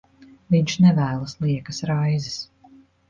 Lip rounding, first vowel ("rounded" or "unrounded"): unrounded